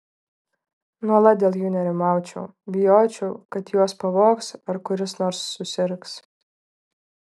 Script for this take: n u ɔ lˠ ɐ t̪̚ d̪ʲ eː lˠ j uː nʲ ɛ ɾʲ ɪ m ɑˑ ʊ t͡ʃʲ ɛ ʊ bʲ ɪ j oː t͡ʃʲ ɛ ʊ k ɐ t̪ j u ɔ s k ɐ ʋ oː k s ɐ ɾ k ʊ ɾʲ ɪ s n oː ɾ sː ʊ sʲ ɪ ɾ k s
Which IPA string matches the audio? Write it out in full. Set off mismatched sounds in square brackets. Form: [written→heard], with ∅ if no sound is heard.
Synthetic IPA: n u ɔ lˠ ɐ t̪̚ d̪ʲ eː lˠ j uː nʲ ɛ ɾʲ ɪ m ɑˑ ʊ t͡ʃʲ ɛ ʊ bʲ ɪ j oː t͡ʃʲ ɛ ʊ k ɐ t̪ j u ɔ s [k→p] ɐ ʋ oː k s ɐ ɾ k ʊ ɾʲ ɪ s n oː ɾ sː ʊ sʲ ɪ ɾ k s

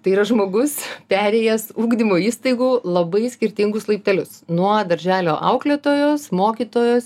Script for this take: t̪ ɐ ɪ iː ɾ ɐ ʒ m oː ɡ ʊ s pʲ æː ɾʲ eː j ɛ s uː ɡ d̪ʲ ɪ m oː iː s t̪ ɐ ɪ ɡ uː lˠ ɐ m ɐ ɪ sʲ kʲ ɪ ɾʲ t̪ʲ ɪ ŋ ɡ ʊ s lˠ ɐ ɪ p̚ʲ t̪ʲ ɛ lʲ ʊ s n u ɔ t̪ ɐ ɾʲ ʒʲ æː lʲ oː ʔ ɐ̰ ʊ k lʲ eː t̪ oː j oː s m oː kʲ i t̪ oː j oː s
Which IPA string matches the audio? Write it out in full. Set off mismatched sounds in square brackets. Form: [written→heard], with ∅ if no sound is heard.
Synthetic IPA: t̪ ɐ ɪ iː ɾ ɐ ʒ m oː ɡ ʊ s pʲ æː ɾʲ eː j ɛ s uː ɡ d̪ʲ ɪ m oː iː s t̪ ɐ ɪ ɡ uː lˠ ɐ [m→b] ɐ ɪ sʲ kʲ ɪ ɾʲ t̪ʲ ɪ ŋ ɡ ʊ s lˠ ɐ ɪ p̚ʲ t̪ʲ ɛ lʲ ʊ s n u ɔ [t̪→d̪] ɐ ɾʲ ʒʲ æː lʲ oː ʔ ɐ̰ ʊ k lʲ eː t̪ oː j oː s m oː kʲ i t̪ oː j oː s

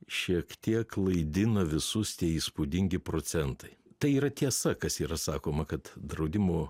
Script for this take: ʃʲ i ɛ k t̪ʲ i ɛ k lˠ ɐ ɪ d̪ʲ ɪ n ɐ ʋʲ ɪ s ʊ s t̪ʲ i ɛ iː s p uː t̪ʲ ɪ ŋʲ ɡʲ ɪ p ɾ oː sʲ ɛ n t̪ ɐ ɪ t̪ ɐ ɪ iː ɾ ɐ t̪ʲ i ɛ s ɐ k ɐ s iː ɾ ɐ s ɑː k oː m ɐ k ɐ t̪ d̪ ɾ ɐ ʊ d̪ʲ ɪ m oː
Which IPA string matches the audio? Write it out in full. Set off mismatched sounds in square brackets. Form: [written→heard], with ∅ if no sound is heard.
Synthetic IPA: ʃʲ i ɛ k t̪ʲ i ɛ k lˠ ɐ ɪ d̪ʲ ɪ n ɐ ʋʲ ɪ s ʊ s t̪ʲ i ɛ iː s p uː [t̪ʲ→d̪ʲ] ɪ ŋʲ ɡʲ ɪ p ɾ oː sʲ ɛ n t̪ ɐ ɪ t̪ ɐ ɪ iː ɾ ɐ t̪ʲ i ɛ s ɐ k ɐ s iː ɾ ɐ s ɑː k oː m ɐ k ɐ t̪ d̪ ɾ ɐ ʊ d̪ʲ ɪ m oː

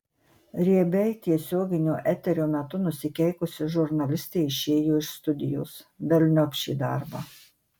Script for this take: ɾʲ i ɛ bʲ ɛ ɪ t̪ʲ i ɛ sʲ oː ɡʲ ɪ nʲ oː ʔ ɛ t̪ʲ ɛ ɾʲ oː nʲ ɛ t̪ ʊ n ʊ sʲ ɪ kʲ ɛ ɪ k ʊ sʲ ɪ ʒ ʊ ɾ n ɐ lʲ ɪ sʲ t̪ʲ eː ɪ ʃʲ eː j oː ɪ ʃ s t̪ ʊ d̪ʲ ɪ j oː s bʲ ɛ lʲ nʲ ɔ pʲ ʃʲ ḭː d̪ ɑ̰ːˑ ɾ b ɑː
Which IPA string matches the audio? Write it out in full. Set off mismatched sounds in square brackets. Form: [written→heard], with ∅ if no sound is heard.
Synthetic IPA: ɾʲ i ɛ bʲ ɛ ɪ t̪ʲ i ɛ sʲ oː ɡʲ ɪ nʲ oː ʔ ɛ t̪ʲ ɛ ɾʲ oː [nʲ→mʲ] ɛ t̪ ʊ n ʊ sʲ ɪ kʲ ɛ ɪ k ʊ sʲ ɪ ʒ ʊ ɾ n ɐ lʲ ɪ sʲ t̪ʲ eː ɪ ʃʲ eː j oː ɪ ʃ s t̪ ʊ d̪ʲ ɪ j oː s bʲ ɛ lʲ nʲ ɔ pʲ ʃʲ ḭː d̪ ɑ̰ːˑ ɾ b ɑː

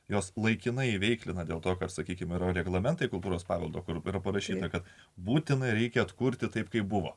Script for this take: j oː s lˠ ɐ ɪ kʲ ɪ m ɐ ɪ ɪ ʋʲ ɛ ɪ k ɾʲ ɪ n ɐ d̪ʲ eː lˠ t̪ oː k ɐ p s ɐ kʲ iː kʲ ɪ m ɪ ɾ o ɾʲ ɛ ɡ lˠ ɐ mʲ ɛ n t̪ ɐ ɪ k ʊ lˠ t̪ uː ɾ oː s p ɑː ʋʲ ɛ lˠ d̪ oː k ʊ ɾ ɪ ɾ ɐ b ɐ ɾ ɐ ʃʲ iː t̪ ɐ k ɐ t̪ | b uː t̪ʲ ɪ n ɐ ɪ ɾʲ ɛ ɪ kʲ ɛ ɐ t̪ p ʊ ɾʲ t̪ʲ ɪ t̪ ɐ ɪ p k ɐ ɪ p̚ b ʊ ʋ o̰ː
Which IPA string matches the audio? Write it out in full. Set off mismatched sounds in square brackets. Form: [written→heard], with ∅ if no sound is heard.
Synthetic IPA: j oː s lˠ ɐ ɪ kʲ ɪ [m→n] ɐ ɪ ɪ ʋʲ ɛ ɪ k [ɾʲ→lʲ] ɪ n ɐ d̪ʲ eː lˠ t̪ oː k ɐ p s ɐ kʲ iː kʲ ɪ m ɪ ɾ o ɾʲ ɛ ɡ lˠ ɐ mʲ ɛ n t̪ ɐ ɪ k ʊ lˠ t̪ uː ɾ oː s p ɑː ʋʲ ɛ lˠ d̪ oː k ʊ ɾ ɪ ɾ ɐ [b→p] ɐ ɾ ɐ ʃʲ iː t̪ ɐ k ɐ t̪ | b uː t̪ʲ ɪ n ɐ ɪ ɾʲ ɛ ɪ kʲ ɛ ɐ t̪ [p→k] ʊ ɾʲ t̪ʲ ɪ t̪ ɐ ɪ p k ɐ ɪ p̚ b ʊ ʋ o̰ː

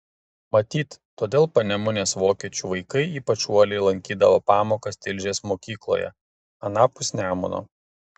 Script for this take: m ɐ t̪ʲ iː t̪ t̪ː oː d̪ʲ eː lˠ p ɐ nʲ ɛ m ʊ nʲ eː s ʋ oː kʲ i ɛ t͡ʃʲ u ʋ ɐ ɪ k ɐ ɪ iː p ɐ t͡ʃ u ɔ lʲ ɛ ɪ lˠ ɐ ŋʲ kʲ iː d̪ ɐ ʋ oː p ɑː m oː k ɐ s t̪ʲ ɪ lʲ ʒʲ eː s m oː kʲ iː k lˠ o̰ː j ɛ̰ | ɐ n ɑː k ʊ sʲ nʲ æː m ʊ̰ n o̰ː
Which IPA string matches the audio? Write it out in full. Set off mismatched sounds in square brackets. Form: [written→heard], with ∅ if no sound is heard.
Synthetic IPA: m ɐ t̪ʲ iː t̪ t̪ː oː d̪ʲ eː lˠ p ɐ nʲ ɛ m ʊ nʲ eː s ʋ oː kʲ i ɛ t͡ʃʲ u ʋ ɐ ɪ k ɐ ɪ iː p ɐ t͡ʃ u ɔ lʲ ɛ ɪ lˠ ɐ ŋʲ kʲ iː d̪ ɐ ʋ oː p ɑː m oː k ɐ s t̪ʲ ɪ lʲ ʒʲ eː s m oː kʲ iː k lˠ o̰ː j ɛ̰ | ɐ n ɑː [k→p] ʊ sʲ nʲ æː m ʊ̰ n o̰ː

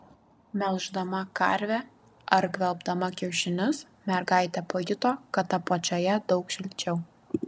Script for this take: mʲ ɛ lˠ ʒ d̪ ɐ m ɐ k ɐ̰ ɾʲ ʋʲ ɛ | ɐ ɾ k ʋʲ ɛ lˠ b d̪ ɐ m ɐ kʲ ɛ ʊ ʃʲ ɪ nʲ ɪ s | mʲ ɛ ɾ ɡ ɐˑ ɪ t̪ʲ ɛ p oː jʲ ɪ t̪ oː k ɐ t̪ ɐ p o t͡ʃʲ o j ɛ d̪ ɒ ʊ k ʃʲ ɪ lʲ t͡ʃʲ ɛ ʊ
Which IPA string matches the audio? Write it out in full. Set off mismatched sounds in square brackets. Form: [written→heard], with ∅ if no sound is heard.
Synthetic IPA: mʲ ɛ lˠ ʒ d̪ ɐ m ɐ k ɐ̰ ɾʲ ʋʲ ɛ | ɐ ɾ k ʋʲ ɛ lˠ b d̪ ɐ m ɐ kʲ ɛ ʊ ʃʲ ɪ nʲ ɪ s | mʲ ɛ ɾ ɡ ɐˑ ɪ t̪ʲ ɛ p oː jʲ ɪ t̪ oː k ɐ t̪ ɐ p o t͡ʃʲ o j ɛ d̪ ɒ ʊ k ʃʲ ɪ lʲ t͡ʃʲ ɛ ʊ

